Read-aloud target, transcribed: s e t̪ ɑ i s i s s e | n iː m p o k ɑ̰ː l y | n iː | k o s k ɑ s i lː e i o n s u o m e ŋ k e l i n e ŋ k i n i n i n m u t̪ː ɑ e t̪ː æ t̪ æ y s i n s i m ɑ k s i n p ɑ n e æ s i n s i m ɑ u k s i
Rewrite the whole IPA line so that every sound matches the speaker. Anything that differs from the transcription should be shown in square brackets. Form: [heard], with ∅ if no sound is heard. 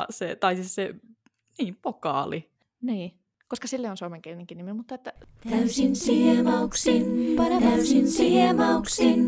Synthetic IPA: s e t̪ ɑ i s i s s e | n iː m p o k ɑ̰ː l [i] | n iː | k o s k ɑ s i lː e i o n s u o m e ŋ k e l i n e ŋ k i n i [m] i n m u t̪ː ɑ e t̪ː æ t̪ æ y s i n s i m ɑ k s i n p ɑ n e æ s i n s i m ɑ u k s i